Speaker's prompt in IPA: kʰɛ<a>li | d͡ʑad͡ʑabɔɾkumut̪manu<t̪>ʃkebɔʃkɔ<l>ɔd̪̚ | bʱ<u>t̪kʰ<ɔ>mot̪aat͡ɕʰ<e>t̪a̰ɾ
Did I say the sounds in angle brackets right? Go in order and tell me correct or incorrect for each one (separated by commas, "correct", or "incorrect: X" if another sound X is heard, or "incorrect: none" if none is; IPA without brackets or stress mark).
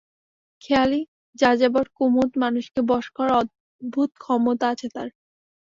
correct, incorrect: none, incorrect: ɾ, correct, correct, correct